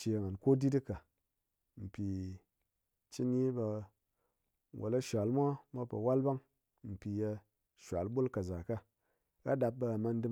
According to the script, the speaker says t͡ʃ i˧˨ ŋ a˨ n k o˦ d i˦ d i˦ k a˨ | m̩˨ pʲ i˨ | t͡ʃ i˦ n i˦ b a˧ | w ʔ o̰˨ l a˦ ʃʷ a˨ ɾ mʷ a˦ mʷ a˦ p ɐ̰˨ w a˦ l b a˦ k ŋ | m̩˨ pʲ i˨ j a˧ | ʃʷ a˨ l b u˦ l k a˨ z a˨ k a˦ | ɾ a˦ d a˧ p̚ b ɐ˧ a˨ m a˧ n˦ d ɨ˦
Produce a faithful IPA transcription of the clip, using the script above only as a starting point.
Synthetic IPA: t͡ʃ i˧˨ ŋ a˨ n k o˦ d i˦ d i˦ k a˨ | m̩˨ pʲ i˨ | t͡ʃ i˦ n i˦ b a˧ | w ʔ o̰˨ l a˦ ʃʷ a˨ l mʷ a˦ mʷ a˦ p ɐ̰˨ w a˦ l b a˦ ŋ | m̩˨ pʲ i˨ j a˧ | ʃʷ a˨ l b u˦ l k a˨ z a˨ k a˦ | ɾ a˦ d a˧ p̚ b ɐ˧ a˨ m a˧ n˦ d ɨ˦